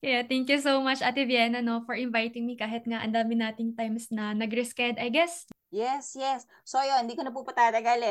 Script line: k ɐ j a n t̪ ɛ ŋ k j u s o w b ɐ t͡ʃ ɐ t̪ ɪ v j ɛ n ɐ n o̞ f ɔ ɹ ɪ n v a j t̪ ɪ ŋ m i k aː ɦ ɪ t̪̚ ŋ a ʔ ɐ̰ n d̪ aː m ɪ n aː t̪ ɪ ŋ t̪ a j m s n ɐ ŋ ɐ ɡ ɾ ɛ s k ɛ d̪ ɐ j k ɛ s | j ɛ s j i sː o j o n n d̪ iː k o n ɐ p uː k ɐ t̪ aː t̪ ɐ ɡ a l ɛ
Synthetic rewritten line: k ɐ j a t̪ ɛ ŋ k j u s o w m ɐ t͡ʃ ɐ t̪ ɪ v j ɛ n ɐ n o̞ f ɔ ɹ ɪ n v a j t̪ ɪ ŋ m i k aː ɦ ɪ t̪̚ ŋ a ʔ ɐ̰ n d̪ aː m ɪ n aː t̪ ɪ ŋ t̪ a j m s n ɐ n ɐ ɡ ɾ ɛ s k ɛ d̪ ɐ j ɡ ɛ s | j ɛ s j ɛ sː o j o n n d̪ iː k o n ɐ p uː p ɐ t̪ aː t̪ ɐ ɡ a l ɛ